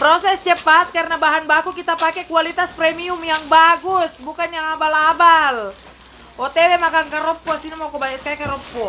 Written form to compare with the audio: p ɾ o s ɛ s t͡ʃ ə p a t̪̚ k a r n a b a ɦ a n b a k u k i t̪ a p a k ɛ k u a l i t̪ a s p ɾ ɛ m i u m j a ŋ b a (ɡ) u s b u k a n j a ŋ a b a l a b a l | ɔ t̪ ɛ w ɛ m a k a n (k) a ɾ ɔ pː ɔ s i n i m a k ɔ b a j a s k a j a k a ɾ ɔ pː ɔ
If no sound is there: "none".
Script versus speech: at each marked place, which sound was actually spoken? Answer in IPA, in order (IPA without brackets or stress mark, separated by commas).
ɡ, k